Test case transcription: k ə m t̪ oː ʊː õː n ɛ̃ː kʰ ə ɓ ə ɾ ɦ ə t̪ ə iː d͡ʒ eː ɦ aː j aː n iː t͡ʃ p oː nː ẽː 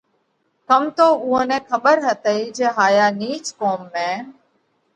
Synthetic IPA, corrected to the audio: k ə m t̪ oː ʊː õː n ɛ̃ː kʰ ə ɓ ə ɾ ɦ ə t̪ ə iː d͡ʒ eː ɦ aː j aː n iː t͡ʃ k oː mː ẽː